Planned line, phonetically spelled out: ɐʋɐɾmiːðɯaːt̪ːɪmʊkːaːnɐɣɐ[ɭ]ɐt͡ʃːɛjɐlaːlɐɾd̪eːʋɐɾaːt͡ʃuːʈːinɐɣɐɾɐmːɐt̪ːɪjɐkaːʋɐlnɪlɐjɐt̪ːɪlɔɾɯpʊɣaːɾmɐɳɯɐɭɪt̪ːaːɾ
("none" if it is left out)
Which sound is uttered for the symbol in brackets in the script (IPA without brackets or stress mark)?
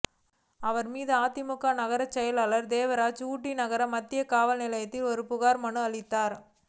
ɾ